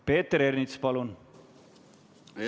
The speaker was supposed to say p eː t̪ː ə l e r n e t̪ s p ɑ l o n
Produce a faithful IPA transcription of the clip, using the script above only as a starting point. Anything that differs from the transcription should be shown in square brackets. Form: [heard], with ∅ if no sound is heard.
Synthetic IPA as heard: p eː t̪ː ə [ɾ] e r n [i] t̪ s p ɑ l [u] n